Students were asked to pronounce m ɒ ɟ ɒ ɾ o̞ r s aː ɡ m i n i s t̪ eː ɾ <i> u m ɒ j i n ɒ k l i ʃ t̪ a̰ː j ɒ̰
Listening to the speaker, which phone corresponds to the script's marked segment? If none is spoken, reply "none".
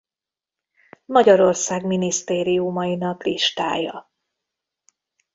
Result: i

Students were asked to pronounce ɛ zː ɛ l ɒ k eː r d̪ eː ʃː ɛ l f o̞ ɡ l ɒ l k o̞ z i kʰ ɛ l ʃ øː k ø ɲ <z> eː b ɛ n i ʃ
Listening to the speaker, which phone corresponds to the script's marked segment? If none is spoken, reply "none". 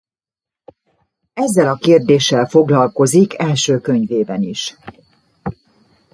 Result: v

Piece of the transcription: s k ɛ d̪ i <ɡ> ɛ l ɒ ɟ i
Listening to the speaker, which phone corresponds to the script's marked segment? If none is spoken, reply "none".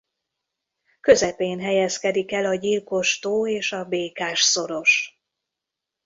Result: k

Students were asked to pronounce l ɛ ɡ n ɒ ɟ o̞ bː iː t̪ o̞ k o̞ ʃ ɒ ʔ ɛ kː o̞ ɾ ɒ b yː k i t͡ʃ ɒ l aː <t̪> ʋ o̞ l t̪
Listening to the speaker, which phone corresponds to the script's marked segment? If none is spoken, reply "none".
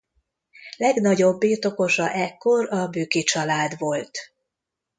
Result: d̪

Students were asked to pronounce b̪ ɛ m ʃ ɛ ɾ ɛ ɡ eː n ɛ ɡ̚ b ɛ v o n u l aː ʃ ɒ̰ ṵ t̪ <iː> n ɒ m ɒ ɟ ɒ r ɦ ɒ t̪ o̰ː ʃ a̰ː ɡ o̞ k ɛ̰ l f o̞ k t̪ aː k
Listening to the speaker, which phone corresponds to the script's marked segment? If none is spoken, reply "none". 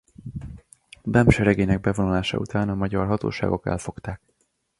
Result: aː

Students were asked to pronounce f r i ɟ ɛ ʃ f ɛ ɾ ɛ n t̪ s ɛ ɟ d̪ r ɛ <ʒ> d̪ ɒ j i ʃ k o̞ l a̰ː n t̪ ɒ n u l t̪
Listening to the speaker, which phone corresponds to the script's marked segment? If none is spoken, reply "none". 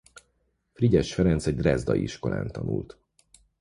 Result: z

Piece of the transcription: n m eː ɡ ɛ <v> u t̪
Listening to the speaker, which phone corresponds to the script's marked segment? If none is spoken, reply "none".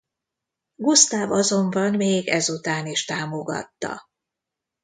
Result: z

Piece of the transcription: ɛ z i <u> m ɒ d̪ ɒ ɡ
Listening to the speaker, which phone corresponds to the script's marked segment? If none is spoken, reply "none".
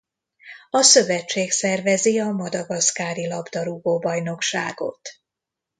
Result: ɒ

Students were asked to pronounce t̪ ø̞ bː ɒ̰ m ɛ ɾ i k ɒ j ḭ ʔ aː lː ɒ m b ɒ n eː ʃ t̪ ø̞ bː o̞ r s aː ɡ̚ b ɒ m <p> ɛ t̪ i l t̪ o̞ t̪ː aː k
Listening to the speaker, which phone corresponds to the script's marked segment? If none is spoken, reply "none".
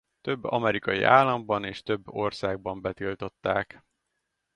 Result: b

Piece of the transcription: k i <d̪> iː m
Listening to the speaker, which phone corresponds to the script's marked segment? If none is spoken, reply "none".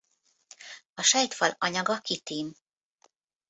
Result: t̪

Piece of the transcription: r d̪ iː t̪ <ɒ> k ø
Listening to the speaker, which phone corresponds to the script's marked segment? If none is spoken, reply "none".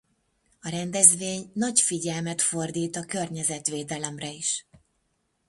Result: ɒ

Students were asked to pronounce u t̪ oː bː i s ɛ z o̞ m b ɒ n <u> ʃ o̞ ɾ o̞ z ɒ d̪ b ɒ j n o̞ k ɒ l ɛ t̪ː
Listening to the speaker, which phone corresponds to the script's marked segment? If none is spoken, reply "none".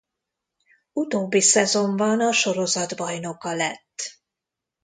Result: ɒ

